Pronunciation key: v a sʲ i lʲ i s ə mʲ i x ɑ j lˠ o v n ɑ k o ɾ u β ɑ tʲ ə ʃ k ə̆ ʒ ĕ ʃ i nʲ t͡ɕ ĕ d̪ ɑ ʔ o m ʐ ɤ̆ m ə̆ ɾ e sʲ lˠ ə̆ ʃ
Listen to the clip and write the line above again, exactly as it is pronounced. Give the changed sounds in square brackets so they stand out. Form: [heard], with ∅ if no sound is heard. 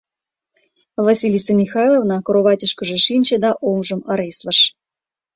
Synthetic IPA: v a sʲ i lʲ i s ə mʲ i x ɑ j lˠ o v n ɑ k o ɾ [o] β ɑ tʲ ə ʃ k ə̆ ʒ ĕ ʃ i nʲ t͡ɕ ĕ d̪ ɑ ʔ o m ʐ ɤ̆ m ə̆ ɾ e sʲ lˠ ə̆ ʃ

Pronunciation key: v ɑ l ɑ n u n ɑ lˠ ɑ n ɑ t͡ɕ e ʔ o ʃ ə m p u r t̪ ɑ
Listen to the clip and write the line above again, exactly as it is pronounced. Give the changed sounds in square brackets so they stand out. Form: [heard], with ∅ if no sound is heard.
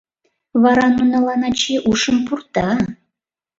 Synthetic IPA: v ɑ [ɾ] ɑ n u n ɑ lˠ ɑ n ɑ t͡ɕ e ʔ [u] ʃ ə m p u r t̪ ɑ

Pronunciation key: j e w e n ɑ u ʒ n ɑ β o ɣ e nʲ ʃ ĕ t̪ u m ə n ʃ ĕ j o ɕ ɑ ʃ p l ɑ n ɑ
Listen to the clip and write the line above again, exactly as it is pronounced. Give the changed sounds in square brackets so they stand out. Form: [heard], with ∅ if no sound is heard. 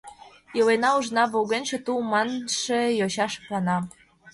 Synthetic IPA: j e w e n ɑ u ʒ n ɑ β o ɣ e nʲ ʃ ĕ t̪ u m [ɑ] n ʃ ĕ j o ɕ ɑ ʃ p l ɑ n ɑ

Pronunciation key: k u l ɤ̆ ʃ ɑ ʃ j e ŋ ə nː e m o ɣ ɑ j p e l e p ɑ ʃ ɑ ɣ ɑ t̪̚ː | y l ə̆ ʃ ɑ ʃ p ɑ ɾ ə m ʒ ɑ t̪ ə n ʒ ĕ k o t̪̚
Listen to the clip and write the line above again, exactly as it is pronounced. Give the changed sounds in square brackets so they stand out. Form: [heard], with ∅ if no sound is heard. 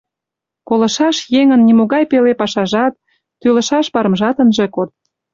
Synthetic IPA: k [o] l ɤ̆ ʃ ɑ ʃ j e ŋ ə nː [i] m o ɣ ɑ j p e l e p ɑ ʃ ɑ [ʒ] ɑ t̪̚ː | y l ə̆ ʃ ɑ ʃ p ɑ ɾ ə m ʒ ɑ t̪ ə n ʒ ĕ k o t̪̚

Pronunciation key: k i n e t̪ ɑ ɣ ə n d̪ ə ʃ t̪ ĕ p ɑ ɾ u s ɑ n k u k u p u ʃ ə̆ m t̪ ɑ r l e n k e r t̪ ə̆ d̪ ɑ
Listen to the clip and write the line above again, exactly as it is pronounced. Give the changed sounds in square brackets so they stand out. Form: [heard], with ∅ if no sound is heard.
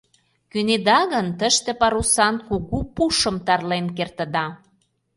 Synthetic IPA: k [y] n e [d̪] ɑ ɣ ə n [t̪] ə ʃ t̪ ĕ p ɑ ɾ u s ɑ n k u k u p u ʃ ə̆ m t̪ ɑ r l e n k e r t̪ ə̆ d̪ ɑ

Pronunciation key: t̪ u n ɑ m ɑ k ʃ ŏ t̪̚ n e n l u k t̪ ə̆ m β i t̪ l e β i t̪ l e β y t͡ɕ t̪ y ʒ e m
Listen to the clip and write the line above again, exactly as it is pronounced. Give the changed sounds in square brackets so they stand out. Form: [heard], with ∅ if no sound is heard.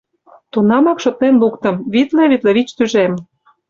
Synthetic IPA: t̪ u n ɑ m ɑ k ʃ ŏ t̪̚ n e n l u k t̪ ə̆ m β i t̪ l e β i t̪ l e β [i] t͡ɕ t̪ y ʒ e m

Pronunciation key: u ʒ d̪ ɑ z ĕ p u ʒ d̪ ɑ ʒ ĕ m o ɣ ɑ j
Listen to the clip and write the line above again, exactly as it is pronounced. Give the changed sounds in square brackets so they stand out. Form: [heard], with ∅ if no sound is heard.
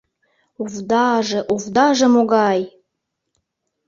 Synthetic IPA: u [v] d̪ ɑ [ʒ] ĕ [ʔ] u [v] d̪ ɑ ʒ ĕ m o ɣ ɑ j

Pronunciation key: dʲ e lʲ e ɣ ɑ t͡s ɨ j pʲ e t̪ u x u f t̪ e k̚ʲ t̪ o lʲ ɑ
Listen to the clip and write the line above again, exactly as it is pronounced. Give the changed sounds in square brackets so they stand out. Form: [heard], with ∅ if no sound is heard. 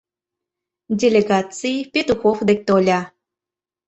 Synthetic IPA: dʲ e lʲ e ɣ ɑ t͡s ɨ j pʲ e t̪ u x [o] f [d̪] e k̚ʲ t̪ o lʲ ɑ

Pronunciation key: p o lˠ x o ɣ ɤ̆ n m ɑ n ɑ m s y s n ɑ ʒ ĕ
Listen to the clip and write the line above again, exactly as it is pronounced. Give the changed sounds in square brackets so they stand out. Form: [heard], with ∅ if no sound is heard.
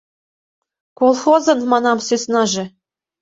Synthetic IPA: [k] o lˠ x o [z] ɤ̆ n m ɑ n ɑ m s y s n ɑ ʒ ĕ

